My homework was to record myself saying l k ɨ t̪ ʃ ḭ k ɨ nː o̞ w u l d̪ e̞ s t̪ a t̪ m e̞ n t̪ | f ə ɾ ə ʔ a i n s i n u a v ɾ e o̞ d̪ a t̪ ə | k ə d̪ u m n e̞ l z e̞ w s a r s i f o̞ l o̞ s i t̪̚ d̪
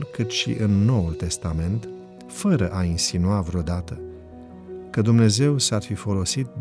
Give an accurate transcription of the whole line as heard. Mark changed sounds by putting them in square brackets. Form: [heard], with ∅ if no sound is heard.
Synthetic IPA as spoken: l k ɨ t̪ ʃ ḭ [ʔ] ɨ nː o̞ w u l [t̪] e̞ s t̪ a [∅] m e̞ n t̪ | f ə ɾ ə ʔ a i n s i n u a v ɾ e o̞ d̪ a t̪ ə | k ə d̪ u m n e̞ [∅] z e̞ w s a r [f] i f o̞ l o̞ s i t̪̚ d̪